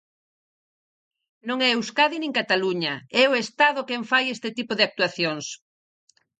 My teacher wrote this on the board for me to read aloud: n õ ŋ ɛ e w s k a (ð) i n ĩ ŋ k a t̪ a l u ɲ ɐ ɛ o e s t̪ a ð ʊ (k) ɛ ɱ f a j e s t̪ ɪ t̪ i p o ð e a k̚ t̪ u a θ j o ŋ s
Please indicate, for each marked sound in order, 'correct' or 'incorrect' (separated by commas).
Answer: correct, correct